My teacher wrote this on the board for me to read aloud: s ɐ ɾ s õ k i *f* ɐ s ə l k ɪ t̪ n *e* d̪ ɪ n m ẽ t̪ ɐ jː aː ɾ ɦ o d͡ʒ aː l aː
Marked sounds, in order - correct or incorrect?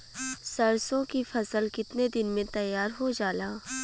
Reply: correct, correct

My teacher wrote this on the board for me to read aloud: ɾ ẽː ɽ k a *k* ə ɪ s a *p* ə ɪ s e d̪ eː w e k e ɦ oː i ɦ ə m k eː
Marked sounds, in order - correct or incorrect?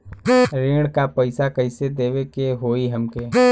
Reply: incorrect: p, incorrect: k

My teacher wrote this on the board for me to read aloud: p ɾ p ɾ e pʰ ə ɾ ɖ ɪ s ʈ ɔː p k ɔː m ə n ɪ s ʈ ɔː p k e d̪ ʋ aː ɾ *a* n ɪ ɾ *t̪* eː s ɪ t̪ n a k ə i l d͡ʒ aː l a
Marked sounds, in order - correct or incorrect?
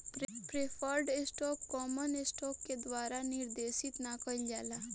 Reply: correct, incorrect: d̪

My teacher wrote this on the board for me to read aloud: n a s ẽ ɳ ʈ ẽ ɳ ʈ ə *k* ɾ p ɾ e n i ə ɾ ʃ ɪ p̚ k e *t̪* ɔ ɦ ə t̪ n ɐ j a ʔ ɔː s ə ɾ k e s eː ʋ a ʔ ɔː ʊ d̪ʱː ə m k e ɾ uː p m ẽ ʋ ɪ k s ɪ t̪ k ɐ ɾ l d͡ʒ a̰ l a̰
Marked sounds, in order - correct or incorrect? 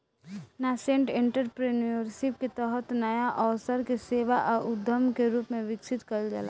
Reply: incorrect: none, correct

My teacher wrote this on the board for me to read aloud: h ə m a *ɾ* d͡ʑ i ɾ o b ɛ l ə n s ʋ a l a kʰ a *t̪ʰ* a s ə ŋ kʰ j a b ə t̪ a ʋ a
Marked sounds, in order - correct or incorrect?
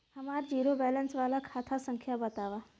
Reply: correct, correct

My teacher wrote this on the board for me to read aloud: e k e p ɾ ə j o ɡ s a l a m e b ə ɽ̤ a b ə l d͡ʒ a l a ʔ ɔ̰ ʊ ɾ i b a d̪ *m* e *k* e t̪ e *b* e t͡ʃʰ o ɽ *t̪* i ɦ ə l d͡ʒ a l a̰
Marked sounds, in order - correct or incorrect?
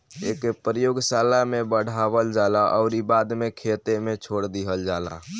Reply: correct, incorrect: kʰ, incorrect: m, incorrect: d̪

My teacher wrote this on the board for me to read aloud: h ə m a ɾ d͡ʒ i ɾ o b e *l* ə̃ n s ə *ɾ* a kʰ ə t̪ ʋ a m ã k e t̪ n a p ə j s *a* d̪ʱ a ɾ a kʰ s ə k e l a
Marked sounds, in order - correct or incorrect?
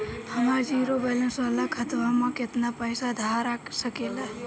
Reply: correct, incorrect: l, correct

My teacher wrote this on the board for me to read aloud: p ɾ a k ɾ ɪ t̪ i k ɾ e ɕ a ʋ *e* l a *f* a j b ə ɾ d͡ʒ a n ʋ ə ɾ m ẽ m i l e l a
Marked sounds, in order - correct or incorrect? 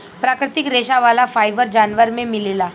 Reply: incorrect: a, correct

